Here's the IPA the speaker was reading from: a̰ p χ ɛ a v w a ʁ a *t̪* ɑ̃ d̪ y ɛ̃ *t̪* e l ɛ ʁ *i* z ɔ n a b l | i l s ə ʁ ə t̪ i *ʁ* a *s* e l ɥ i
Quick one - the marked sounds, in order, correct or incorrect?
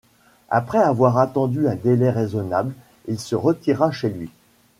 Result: correct, incorrect: d̪, incorrect: e, correct, incorrect: ʃ

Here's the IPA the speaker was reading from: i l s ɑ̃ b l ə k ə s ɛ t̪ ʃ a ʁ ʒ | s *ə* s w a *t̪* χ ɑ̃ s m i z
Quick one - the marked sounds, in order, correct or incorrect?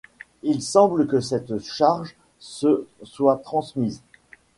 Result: correct, correct

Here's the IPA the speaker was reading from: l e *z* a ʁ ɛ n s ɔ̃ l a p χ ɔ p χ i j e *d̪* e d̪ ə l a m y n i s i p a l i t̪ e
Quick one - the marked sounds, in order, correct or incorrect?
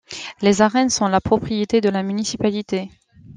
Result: correct, incorrect: t̪

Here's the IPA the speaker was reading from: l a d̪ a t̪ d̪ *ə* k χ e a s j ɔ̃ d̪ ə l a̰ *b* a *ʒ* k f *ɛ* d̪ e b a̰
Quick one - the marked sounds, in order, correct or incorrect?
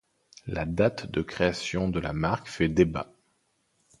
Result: correct, incorrect: m, incorrect: ʁ, correct

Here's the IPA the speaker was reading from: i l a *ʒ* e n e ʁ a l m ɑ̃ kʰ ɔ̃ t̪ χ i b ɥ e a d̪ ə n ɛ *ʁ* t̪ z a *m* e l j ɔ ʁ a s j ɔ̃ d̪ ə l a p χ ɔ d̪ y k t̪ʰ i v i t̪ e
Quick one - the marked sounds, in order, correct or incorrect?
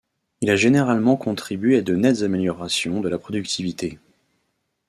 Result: correct, incorrect: none, correct

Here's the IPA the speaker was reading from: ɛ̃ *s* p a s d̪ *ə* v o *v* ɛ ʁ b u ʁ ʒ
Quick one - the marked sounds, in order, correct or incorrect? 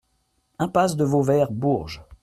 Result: incorrect: none, correct, correct

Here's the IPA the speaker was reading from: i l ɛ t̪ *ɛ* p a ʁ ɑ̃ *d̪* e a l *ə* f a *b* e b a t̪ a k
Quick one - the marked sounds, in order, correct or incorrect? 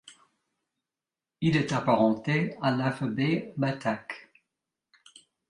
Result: incorrect: a, incorrect: t̪, incorrect: a, correct

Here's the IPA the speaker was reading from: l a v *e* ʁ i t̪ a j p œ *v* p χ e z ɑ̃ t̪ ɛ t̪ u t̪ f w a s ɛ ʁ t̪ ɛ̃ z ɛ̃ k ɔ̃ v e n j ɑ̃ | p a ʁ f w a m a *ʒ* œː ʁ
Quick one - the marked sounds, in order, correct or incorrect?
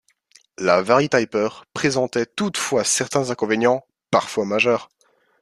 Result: incorrect: a, incorrect: ʁ, correct

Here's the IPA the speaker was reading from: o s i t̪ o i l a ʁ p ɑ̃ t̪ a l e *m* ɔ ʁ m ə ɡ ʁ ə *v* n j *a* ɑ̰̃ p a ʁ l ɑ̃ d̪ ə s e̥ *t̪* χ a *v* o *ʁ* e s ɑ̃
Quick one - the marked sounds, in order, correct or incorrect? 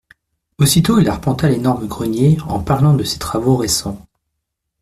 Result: incorrect: n, incorrect: none, incorrect: e, correct, correct, correct

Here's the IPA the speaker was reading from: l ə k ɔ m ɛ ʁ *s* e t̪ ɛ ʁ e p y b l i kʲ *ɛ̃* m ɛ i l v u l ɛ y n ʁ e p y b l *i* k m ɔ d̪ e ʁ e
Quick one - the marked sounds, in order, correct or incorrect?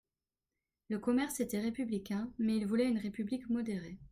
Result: correct, correct, correct

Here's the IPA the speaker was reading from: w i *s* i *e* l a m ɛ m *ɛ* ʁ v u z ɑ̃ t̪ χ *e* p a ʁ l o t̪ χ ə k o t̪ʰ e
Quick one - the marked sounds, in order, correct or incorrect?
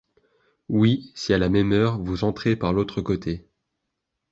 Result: correct, incorrect: a, incorrect: œ, correct

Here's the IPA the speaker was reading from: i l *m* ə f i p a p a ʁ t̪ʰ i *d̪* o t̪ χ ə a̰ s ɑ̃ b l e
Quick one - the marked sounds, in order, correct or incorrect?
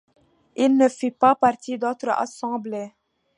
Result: incorrect: n, correct

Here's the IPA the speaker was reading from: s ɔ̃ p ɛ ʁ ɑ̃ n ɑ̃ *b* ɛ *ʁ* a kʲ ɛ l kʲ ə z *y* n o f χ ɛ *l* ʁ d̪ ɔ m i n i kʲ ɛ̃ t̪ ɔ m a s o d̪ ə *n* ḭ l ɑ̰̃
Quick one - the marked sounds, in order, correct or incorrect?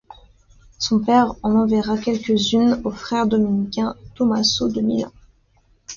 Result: incorrect: v, correct, correct, incorrect: none, incorrect: m

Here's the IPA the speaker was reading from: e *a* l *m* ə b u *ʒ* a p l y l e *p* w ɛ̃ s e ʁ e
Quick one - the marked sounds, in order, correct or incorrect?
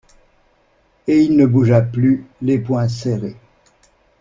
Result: incorrect: i, incorrect: n, correct, correct

